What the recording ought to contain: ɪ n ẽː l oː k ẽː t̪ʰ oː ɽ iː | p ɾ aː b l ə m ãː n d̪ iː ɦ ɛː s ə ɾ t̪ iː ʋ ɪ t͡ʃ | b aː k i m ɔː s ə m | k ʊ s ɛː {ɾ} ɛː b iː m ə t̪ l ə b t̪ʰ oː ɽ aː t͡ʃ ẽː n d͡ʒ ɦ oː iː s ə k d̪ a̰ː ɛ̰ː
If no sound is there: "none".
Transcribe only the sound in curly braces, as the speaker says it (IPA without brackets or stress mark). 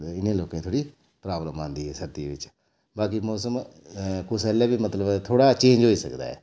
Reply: l